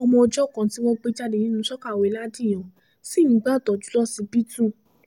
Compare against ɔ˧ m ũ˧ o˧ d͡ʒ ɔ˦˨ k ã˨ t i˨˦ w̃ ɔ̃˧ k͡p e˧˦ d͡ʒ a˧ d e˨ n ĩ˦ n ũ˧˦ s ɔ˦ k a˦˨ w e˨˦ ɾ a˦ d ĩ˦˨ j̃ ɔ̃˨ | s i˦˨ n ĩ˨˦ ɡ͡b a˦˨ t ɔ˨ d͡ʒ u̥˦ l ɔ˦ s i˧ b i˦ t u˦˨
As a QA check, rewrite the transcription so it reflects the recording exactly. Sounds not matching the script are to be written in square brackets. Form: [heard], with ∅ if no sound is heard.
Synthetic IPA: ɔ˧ m [ɔ̃˧] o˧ d͡ʒ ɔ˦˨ k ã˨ t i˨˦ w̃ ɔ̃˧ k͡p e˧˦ d͡ʒ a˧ d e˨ n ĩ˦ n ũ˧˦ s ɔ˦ k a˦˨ w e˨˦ [l] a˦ d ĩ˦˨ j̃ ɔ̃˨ | s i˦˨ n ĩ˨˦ ɡ͡b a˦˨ t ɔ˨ d͡ʒ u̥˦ l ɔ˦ s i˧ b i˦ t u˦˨